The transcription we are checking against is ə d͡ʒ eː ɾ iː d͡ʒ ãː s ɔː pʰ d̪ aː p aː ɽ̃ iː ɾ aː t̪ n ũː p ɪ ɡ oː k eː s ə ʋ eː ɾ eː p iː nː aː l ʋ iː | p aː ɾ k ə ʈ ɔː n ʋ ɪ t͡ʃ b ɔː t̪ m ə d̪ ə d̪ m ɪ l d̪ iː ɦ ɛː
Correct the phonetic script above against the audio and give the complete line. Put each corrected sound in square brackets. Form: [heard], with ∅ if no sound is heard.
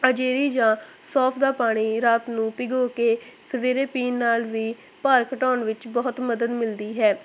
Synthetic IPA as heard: ə d͡ʒ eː ɾ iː d͡ʒ ãː s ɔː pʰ d̪ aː p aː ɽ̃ iː ɾ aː t̪ n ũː p ɪ ɡ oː k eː s ə ʋ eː ɾ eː p iː nː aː l ʋ iː | p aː ɾ k ə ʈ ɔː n ʋ ɪ t͡ʃ b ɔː t̪ m ə d̪ ə d̪ m ɪ l d̪ iː ɦ ɛː